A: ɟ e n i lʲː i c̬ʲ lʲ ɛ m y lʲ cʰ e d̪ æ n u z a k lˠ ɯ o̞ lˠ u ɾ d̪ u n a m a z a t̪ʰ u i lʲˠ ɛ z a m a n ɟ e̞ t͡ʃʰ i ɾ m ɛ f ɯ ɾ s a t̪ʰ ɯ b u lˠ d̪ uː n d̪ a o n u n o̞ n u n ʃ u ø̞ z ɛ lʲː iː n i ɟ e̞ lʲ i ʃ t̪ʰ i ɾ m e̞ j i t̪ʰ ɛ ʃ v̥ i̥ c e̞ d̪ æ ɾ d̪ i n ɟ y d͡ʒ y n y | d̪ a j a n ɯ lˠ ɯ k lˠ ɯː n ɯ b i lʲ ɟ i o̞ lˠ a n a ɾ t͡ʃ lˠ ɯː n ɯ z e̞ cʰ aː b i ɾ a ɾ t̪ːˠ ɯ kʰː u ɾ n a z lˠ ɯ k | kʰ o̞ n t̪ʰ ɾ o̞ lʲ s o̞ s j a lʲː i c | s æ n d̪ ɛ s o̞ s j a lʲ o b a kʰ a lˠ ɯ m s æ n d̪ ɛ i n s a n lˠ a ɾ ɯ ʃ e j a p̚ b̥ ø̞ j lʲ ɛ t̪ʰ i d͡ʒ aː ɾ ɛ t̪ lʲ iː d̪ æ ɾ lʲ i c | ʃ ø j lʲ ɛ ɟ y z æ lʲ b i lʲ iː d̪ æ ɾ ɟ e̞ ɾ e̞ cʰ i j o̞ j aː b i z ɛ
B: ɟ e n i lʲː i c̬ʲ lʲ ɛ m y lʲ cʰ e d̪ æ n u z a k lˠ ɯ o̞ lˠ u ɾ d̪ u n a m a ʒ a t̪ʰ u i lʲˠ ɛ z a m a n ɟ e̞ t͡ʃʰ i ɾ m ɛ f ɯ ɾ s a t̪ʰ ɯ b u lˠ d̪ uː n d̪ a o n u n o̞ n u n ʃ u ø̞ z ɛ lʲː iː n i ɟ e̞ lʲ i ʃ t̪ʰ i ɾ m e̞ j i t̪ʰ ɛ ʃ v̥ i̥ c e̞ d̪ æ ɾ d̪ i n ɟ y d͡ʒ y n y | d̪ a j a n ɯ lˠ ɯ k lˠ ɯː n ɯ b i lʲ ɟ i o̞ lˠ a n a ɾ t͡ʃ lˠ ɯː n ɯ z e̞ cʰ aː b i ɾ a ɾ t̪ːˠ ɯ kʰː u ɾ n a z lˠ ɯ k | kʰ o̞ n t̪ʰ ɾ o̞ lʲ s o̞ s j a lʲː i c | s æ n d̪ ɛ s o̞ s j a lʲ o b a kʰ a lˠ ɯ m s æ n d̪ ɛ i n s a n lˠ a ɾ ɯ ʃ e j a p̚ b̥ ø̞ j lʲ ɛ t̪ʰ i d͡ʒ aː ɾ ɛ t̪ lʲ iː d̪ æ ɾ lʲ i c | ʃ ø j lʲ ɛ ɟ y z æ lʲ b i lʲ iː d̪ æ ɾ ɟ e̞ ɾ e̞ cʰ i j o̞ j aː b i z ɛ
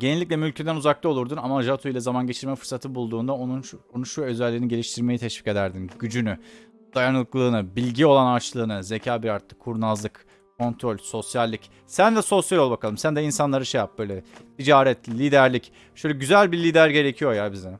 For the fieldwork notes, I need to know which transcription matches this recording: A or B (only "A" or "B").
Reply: B